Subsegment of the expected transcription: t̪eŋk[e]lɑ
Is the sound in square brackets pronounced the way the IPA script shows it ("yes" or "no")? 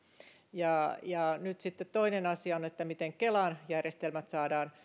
yes